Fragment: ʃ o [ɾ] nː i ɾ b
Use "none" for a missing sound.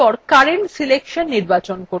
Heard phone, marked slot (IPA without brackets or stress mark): none